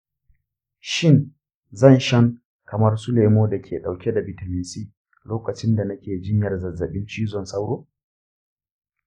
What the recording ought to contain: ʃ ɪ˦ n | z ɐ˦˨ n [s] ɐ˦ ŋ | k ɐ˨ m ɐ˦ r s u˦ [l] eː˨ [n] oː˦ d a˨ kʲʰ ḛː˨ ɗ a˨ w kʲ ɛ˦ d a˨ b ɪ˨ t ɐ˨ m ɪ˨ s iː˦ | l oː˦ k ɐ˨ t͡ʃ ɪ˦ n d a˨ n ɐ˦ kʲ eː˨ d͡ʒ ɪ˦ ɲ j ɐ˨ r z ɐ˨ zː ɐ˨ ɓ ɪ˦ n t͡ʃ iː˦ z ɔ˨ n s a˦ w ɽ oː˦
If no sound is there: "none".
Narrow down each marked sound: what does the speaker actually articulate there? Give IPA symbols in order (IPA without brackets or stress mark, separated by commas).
ʃ, l, m